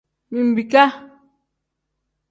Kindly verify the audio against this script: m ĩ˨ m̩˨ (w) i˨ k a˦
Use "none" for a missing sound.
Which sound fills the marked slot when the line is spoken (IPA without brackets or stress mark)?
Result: b